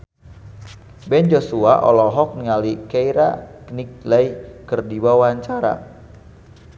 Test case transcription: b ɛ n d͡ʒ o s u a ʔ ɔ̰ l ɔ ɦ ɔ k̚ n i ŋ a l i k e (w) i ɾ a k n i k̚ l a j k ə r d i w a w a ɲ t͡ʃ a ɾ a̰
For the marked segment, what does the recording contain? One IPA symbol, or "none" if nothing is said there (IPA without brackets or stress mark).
none